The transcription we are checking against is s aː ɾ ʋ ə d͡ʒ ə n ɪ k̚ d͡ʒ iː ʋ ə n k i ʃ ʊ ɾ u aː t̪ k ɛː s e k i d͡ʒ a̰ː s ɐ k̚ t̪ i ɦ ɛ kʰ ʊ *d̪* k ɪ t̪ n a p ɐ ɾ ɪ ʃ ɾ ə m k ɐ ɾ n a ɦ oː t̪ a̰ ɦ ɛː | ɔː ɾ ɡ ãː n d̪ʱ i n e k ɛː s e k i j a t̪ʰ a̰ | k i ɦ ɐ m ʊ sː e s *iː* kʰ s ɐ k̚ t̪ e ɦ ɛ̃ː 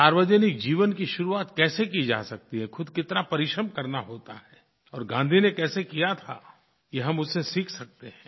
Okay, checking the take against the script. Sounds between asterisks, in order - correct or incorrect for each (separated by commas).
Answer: correct, correct